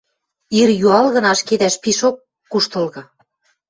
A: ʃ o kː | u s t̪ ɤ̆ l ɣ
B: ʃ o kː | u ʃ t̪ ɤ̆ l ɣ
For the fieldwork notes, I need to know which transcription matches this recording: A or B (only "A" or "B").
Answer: B